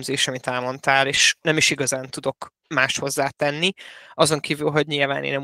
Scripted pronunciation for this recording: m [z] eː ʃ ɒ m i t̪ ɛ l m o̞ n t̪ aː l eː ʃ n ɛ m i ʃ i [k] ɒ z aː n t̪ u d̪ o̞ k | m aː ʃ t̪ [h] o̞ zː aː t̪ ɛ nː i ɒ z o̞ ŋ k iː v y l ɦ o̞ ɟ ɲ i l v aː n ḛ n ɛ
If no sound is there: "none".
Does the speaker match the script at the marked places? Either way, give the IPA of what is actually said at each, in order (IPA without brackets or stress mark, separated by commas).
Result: z, ɡ, h